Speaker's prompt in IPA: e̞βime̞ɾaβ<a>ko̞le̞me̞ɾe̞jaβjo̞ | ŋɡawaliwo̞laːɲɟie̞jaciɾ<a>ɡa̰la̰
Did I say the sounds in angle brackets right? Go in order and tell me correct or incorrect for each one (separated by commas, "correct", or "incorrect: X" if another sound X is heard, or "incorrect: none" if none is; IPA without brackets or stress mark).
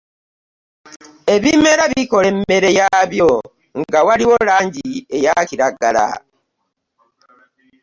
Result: incorrect: i, correct